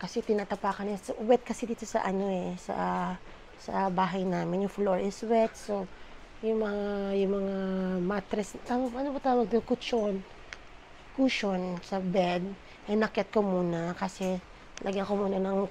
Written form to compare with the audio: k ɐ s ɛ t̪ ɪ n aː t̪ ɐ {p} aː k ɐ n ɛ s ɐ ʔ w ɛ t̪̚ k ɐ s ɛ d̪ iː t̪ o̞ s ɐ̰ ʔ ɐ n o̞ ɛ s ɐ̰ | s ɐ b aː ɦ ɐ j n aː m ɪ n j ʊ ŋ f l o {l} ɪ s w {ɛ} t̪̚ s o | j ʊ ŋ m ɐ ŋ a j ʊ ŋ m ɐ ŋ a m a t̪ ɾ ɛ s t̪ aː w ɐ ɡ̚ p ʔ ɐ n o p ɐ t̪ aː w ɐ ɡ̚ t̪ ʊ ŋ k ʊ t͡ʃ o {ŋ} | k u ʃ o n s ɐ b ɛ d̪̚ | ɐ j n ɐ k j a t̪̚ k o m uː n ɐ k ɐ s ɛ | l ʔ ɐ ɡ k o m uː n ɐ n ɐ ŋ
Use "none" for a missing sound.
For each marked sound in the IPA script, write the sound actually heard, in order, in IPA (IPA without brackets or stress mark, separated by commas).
p, ɹ, ɛ, n